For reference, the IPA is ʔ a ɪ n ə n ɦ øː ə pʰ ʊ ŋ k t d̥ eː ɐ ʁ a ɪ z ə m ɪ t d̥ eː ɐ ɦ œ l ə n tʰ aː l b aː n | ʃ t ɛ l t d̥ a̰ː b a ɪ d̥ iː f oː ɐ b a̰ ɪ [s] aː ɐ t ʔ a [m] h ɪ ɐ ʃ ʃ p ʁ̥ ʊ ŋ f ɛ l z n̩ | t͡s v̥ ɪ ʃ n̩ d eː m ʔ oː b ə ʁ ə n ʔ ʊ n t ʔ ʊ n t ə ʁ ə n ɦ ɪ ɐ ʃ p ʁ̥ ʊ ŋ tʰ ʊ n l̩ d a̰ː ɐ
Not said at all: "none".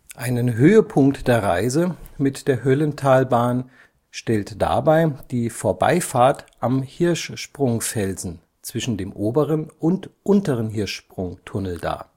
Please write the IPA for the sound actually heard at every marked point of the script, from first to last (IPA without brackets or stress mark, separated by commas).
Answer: f, m